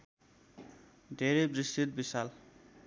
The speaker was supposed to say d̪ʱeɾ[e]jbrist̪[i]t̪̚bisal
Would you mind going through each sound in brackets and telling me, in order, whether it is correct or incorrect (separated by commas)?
correct, correct